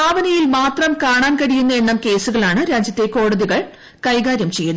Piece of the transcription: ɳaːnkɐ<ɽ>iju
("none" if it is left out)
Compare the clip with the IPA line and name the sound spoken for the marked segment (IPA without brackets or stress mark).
ɽ